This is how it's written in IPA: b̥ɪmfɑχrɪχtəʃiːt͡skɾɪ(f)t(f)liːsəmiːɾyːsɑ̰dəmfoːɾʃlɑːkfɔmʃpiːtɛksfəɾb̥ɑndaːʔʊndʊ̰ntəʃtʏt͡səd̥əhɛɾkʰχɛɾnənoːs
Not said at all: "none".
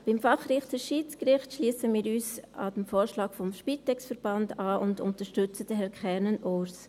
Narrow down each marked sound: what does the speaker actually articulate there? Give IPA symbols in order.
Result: χ, ʃ

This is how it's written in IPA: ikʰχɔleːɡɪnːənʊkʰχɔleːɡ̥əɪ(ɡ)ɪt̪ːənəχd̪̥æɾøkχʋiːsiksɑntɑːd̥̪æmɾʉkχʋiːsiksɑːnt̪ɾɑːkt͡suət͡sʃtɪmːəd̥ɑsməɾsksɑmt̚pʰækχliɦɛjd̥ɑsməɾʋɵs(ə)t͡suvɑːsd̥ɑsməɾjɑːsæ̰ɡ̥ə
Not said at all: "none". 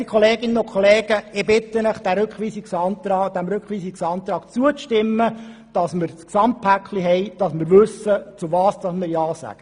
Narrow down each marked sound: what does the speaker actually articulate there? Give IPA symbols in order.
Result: b, ə

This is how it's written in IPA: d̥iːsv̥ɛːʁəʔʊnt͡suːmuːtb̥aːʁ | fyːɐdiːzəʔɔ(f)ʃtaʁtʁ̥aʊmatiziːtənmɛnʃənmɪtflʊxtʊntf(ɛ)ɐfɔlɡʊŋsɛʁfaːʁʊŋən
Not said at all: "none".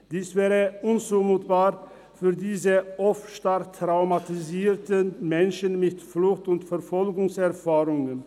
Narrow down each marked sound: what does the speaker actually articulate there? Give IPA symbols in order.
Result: f, ɛ

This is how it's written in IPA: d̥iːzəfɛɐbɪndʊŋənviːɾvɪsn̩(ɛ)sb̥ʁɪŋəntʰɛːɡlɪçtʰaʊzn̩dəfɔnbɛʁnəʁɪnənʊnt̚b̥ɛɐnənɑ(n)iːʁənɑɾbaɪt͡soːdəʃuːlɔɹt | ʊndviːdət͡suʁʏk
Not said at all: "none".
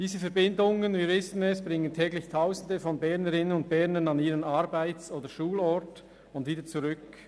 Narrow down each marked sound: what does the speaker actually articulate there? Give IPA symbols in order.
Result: ɛ, n

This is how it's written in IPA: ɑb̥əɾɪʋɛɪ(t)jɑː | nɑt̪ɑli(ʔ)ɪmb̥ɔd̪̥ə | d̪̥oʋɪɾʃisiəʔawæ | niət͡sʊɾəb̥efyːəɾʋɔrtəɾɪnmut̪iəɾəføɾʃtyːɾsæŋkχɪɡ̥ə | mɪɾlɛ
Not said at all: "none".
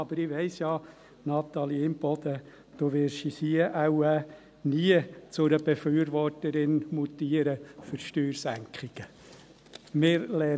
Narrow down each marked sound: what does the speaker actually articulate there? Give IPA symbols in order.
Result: s, none

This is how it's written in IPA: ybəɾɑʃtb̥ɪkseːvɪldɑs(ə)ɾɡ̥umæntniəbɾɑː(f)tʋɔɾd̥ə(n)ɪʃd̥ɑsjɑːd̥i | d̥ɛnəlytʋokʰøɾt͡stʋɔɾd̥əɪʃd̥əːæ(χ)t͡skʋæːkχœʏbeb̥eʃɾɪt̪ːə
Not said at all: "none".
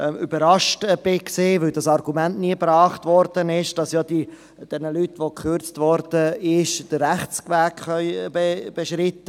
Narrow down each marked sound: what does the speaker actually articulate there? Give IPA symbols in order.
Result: ɑ, χ, n, χ

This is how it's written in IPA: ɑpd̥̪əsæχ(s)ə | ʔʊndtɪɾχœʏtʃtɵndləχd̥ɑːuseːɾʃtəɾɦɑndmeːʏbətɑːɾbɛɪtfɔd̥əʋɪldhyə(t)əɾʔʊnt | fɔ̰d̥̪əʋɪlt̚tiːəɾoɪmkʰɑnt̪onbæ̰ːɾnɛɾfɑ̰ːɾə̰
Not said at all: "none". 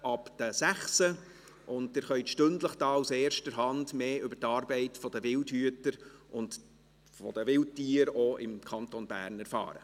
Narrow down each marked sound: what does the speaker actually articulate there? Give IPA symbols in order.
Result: s, t

